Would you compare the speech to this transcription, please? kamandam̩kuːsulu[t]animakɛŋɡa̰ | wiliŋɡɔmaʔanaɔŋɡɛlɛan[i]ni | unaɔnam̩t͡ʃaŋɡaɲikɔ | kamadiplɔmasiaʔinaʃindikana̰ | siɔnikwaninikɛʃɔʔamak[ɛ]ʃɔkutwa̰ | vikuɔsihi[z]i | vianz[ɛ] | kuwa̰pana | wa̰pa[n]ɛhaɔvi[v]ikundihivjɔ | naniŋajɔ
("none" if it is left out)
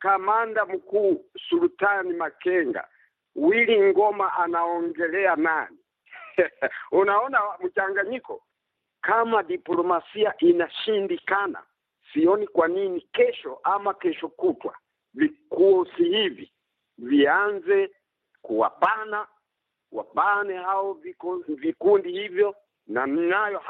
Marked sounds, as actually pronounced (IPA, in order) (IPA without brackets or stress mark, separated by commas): t, a, ɛ, v, ɛ, n, v